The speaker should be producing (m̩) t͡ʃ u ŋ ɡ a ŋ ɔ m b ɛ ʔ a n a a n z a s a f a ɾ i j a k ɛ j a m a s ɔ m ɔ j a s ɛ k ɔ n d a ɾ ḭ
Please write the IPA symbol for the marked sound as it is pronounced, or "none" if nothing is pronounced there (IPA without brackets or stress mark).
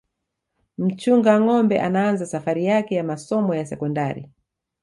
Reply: m̩